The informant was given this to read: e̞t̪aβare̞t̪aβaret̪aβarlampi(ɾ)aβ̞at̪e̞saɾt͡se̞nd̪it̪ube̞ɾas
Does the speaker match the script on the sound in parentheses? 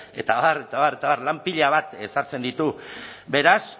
no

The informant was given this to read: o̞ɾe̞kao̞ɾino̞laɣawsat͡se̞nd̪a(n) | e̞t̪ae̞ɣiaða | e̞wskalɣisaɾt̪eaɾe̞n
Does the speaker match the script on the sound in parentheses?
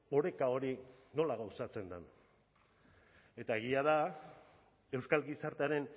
yes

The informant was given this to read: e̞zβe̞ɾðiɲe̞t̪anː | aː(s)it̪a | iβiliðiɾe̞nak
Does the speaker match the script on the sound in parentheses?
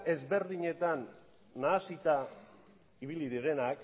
yes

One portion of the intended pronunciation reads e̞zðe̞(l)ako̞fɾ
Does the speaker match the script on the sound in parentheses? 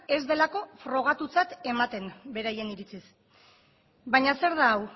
yes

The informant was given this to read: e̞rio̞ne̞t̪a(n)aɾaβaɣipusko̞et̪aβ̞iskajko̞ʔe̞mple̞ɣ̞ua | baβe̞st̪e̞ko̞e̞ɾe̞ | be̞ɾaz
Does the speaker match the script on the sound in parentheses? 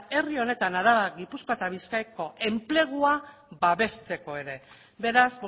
yes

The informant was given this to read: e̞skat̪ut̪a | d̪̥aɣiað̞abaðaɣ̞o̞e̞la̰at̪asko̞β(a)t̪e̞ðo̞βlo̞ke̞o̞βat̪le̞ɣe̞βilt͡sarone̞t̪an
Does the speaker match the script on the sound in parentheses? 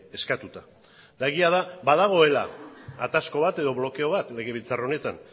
yes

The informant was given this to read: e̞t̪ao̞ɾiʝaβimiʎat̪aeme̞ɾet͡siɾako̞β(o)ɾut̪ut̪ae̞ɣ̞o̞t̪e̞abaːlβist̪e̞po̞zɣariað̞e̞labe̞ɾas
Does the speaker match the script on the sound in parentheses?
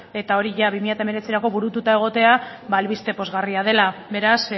no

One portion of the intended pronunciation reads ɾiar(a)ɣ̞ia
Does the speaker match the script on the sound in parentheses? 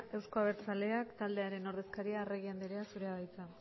no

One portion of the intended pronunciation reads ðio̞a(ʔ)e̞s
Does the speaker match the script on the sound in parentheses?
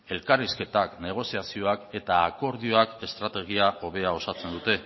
no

